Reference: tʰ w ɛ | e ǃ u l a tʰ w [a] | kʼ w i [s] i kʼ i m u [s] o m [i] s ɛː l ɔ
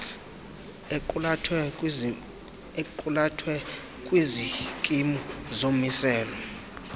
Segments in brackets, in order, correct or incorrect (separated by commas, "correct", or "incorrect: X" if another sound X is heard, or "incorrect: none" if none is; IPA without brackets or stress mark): incorrect: ɛ, incorrect: z, incorrect: z, correct